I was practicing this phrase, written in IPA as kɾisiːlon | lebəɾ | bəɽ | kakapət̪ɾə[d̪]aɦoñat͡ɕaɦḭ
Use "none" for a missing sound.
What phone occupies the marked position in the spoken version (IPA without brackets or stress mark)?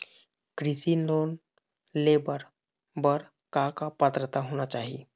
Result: t̪